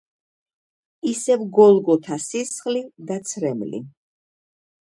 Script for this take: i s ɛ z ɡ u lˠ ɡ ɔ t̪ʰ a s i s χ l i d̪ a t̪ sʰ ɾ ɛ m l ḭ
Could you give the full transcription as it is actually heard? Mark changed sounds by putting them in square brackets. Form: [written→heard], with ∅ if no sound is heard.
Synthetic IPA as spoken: i s ɛ [z→v] ɡ [u→ɔ] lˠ ɡ ɔ t̪ʰ a s i s χ l i d̪ a t̪ sʰ ɾ ɛ m l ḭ